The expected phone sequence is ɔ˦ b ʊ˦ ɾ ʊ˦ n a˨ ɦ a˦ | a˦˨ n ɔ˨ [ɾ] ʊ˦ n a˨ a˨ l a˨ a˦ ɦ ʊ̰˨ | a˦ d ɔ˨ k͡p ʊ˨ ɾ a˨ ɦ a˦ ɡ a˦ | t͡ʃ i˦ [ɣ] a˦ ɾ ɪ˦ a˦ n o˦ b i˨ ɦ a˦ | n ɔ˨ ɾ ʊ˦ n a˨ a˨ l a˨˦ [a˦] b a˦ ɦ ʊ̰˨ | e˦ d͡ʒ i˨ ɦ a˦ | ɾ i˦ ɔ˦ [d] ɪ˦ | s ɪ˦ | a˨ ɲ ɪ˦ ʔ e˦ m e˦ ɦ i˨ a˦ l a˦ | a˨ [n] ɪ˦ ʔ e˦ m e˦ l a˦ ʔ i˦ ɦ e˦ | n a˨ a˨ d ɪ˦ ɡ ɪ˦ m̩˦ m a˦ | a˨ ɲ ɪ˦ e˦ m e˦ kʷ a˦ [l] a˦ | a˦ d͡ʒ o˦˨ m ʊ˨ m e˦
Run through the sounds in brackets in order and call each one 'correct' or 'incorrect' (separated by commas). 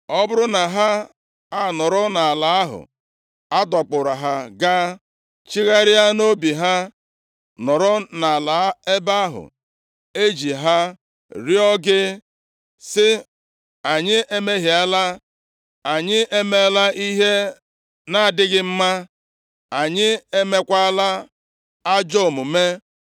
correct, correct, incorrect, incorrect, incorrect, correct